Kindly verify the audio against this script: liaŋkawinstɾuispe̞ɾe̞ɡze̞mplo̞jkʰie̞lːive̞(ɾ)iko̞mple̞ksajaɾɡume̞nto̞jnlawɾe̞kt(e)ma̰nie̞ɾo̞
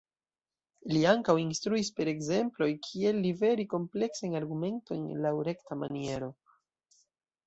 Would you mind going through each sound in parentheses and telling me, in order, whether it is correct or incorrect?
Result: correct, incorrect: a

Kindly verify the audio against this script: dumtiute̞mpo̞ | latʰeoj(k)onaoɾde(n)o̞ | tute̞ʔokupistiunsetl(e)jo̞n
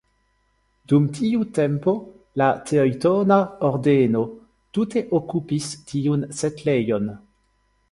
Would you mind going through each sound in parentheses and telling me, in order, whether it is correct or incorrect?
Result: incorrect: t, correct, correct

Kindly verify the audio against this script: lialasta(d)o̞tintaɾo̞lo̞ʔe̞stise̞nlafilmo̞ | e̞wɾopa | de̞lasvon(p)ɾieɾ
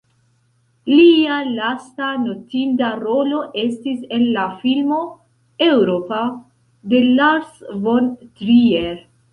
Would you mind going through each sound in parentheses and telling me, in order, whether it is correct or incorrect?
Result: incorrect: n, incorrect: t

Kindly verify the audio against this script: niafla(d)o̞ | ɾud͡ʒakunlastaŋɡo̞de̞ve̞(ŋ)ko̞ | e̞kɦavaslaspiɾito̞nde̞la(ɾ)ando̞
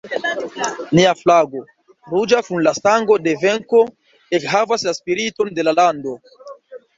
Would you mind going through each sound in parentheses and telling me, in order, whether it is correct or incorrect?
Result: incorrect: ɡ, correct, incorrect: l

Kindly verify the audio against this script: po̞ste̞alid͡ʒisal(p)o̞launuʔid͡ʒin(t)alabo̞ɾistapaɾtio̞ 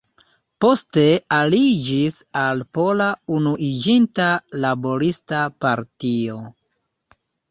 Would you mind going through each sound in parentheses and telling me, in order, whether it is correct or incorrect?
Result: correct, correct

